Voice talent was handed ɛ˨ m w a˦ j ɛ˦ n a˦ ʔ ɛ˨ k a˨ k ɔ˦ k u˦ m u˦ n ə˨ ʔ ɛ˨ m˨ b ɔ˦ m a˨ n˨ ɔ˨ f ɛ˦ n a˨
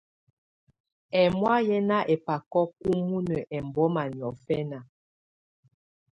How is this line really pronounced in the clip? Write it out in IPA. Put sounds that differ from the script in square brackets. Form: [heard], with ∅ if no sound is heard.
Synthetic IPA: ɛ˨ m w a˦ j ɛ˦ n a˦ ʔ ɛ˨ [p] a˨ k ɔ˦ k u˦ m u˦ n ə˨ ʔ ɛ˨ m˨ b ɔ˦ m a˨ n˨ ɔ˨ f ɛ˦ n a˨